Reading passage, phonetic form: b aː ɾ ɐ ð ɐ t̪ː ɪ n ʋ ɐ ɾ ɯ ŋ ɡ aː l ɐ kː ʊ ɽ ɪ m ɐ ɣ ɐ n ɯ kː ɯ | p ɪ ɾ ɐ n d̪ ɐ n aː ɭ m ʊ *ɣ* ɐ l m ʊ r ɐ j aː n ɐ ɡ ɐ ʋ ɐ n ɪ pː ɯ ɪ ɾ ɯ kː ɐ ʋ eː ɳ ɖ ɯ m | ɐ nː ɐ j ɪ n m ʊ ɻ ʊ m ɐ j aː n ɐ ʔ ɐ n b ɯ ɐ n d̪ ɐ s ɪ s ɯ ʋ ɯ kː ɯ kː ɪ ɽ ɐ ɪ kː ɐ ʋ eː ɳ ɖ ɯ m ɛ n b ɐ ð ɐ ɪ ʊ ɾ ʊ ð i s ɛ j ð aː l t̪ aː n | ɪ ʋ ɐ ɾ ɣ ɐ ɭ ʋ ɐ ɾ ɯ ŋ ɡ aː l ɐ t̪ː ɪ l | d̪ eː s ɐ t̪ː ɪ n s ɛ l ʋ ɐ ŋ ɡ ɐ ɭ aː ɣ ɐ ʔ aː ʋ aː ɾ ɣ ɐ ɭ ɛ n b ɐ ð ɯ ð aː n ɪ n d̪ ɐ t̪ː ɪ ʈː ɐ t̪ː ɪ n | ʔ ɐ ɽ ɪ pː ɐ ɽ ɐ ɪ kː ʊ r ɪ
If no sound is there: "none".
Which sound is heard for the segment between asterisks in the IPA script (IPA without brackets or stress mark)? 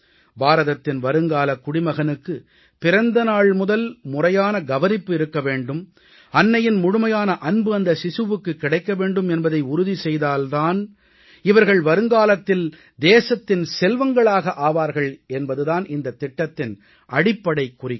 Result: ð